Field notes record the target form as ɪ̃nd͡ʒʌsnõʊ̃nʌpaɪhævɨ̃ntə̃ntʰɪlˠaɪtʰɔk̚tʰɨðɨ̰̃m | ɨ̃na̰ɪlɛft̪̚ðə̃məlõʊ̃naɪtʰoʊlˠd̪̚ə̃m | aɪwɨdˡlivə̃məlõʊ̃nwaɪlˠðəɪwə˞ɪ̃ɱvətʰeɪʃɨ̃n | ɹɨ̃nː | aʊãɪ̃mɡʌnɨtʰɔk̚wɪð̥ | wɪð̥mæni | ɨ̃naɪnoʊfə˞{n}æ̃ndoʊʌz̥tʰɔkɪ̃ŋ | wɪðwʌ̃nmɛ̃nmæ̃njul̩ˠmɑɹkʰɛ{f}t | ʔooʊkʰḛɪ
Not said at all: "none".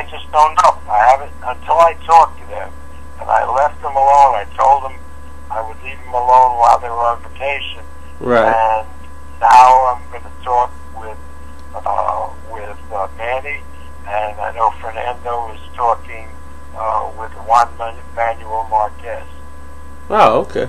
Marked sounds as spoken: n, s

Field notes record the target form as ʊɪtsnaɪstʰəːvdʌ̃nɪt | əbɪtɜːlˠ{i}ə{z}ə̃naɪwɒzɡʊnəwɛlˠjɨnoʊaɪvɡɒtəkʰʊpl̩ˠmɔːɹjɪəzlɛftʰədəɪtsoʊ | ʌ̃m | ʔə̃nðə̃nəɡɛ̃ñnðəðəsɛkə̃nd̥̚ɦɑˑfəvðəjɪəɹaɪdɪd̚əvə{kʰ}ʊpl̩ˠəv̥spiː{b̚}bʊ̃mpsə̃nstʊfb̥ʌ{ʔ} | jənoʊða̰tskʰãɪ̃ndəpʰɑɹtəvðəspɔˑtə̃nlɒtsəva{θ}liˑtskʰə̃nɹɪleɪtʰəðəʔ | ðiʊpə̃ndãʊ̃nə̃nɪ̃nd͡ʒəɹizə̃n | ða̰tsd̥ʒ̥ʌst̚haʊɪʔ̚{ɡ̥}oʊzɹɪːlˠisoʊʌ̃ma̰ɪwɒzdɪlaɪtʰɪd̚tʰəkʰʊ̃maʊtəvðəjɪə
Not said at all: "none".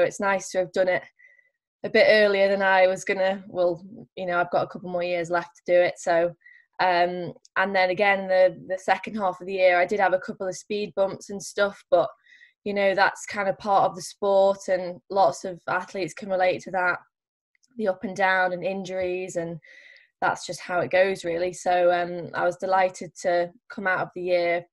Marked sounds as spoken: i, ð, kʰ, d̚, ʔ, θ, ɡ̥

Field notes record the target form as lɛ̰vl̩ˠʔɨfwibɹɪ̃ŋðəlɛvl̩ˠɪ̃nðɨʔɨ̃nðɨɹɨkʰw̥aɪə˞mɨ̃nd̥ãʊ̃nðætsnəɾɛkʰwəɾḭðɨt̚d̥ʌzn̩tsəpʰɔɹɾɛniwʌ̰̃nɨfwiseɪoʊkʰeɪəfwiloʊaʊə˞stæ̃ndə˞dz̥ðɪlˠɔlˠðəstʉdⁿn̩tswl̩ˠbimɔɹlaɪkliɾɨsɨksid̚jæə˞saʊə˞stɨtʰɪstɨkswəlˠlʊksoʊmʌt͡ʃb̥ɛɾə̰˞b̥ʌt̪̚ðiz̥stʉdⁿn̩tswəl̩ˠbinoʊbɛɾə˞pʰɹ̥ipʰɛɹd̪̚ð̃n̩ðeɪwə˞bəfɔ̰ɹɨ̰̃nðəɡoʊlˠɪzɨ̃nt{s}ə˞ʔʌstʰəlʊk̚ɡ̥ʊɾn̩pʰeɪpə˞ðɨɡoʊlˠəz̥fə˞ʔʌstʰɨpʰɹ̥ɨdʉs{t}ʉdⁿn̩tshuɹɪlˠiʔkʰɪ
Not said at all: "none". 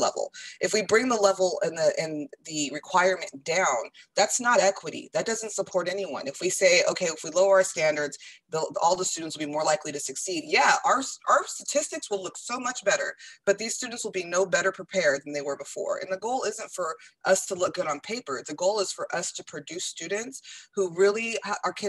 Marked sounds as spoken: f, t

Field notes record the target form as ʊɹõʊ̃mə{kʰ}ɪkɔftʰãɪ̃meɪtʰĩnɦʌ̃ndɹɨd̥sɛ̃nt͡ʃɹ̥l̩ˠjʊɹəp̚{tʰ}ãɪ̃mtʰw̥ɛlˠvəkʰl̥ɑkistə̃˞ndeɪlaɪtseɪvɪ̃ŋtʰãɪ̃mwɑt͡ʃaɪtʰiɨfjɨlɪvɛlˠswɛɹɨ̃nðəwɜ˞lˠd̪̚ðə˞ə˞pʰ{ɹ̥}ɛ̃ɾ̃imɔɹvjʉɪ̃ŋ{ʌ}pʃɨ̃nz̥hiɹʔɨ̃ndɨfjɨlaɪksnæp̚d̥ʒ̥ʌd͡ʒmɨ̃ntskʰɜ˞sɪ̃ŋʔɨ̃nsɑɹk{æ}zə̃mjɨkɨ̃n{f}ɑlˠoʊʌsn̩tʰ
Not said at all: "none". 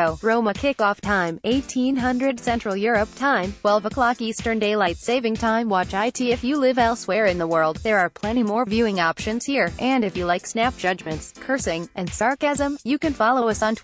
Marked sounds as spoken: kʰ, tʰ, l̥, ɑ, æ, f

